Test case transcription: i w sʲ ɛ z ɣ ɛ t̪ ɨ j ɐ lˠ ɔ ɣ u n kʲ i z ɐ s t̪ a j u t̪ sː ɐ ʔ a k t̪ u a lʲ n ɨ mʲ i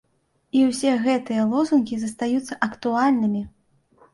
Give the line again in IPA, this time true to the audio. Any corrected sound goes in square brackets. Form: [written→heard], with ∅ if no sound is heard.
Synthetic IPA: i w sʲ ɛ [z→∅] ɣ ɛ t̪ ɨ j ɐ lˠ ɔ [ɣ→z] u n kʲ i z ɐ s t̪ a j u t̪ sː ɐ ʔ [a→ɐ] k t̪ u a lʲ n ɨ mʲ i